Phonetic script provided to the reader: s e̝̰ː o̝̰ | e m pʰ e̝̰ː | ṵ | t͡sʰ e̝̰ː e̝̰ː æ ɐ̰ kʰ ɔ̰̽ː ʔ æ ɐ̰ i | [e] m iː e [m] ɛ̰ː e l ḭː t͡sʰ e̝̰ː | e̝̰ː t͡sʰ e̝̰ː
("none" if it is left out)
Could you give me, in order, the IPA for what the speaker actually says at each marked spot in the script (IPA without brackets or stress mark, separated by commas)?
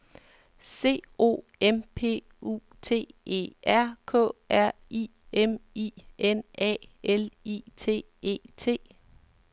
e, n